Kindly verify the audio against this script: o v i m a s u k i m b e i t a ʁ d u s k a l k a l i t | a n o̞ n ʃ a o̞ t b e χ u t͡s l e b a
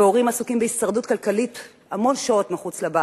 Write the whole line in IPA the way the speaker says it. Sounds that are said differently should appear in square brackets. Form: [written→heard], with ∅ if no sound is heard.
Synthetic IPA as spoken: o [v→ʁ] i m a s u k i m b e i [t→s] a ʁ d u [s→t] k a l k a l i t | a [n→m] o̞ n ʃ a o̞ t [b→m] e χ u t͡s l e b a